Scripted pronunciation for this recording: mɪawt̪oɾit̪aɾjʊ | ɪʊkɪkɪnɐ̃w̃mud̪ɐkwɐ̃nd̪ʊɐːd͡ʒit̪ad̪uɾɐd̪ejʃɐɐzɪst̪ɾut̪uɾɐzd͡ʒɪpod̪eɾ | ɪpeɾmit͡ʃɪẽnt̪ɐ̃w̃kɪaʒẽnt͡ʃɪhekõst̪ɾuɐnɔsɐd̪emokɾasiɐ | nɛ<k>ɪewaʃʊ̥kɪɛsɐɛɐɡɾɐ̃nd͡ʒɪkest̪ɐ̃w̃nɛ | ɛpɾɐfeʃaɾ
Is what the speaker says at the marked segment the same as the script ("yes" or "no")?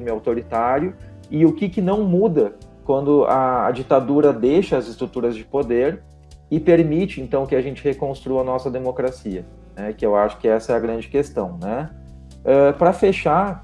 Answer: yes